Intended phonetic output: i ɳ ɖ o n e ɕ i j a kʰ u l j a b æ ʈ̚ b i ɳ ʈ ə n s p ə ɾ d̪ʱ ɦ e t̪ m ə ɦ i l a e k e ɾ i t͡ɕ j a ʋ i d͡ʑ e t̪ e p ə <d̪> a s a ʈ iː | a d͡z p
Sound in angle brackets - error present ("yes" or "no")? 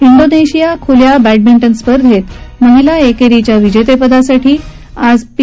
no